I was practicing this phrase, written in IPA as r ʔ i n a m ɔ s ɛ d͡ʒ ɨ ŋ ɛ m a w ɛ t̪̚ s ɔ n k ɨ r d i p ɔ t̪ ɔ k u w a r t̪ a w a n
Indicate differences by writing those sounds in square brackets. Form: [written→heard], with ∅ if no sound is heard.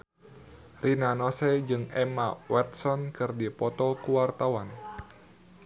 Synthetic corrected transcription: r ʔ i n a [m→n] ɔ s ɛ d͡ʒ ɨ ŋ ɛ m a w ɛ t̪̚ s ɔ n k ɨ r d i p ɔ t̪ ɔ k u w a r t̪ a w a n

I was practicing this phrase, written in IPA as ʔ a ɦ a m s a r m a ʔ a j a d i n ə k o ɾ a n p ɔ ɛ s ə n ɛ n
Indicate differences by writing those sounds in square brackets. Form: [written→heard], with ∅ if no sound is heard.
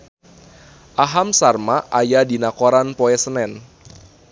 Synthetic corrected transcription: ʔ a ɦ a m s a r m a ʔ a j a d i n [ə→a] k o ɾ a n p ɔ ɛ s ə n ɛ n

